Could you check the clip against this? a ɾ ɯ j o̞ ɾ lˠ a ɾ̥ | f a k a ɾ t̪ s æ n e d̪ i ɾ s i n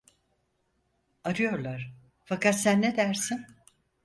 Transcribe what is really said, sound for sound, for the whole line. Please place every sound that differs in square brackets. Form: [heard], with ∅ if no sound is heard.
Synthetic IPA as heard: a ɾ ɯ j o̞ ɾ lˠ a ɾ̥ | f a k a [∅] t̪ s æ [nː] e d̪ [æ] ɾ s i n